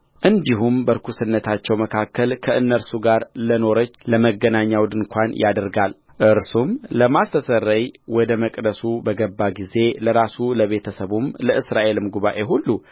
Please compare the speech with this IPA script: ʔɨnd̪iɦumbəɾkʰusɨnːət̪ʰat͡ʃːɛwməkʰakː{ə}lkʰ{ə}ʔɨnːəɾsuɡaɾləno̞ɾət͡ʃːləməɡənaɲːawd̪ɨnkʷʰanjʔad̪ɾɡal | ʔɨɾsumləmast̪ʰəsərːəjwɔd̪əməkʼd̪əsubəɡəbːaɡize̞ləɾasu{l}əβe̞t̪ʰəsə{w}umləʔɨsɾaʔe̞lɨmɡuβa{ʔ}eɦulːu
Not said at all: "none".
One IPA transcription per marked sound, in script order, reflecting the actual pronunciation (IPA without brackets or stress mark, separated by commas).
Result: ə, ə, l, β, ʔ